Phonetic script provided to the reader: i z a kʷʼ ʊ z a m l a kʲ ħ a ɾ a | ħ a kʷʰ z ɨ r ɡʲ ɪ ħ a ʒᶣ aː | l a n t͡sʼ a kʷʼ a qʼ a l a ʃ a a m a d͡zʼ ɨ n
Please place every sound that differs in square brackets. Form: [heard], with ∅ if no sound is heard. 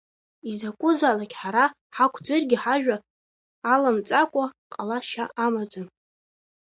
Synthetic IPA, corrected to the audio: i z a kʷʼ ʊ z a [∅] l a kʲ ħ a ɾ a | ħ a kʷʰ [d͡z] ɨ r ɡʲ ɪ ħ a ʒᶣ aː | l a [m] t͡sʼ a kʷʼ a qʼ a l a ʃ a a m a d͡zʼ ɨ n